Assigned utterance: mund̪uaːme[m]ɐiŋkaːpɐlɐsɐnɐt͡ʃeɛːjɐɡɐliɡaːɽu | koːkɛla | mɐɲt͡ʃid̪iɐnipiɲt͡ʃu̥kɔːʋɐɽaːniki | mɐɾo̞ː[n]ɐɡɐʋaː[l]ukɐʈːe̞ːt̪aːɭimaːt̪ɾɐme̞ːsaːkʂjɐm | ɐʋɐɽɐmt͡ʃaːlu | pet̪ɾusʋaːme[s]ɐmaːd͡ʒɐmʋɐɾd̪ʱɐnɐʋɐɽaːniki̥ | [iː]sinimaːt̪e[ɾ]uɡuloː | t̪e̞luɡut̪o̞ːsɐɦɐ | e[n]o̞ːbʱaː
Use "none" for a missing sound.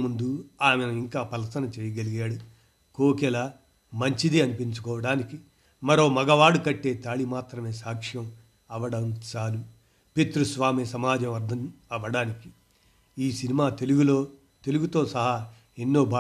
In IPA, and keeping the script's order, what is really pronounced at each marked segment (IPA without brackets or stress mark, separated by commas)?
n, m, ɽ, s, iː, l, nː